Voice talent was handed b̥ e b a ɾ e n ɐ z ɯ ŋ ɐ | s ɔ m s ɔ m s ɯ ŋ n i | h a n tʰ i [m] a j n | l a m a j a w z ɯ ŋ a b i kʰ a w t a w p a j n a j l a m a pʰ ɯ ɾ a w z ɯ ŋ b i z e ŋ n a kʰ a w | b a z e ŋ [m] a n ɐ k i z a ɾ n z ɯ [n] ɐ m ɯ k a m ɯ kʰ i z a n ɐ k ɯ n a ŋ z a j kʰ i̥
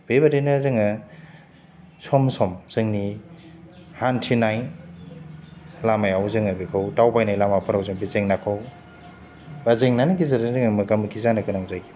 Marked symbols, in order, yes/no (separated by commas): no, no, no